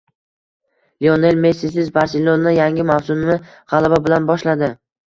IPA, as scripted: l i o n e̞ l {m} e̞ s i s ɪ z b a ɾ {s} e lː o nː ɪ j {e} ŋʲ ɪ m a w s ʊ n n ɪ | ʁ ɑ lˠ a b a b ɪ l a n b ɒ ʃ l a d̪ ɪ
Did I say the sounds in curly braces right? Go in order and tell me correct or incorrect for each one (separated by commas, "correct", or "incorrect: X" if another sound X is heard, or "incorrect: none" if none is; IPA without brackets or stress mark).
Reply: correct, correct, incorrect: a